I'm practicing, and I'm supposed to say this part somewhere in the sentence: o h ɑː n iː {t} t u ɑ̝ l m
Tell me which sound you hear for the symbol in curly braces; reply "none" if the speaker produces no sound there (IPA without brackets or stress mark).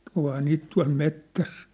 t